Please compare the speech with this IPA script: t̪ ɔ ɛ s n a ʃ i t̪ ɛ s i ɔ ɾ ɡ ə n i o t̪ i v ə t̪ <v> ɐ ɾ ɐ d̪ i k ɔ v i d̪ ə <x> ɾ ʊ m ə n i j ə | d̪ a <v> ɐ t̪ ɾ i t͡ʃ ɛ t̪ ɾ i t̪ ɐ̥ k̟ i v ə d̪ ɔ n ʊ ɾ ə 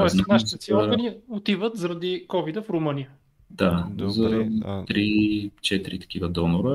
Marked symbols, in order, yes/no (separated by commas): no, no, no